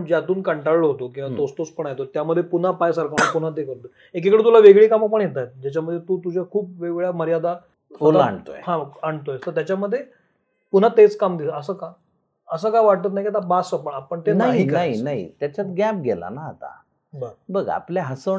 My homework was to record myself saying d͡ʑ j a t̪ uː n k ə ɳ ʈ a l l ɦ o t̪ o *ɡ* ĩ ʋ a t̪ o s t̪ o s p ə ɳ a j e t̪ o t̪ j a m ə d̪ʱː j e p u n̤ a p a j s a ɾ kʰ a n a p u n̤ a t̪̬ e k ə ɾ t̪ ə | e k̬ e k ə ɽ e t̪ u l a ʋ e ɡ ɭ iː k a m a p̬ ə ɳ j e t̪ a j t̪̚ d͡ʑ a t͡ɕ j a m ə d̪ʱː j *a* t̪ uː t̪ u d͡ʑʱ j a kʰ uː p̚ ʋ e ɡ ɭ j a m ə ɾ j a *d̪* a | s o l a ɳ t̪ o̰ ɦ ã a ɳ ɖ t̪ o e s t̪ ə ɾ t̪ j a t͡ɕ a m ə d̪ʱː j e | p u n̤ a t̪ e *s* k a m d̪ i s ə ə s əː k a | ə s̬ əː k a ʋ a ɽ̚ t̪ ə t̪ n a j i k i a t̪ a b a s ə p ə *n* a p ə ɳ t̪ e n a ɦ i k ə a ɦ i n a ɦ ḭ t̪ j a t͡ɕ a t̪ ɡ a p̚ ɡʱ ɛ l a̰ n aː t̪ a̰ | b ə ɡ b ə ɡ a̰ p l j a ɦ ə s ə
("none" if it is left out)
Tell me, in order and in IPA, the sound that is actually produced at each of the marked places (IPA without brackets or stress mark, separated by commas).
k, e, d̪, t͡s, ɳ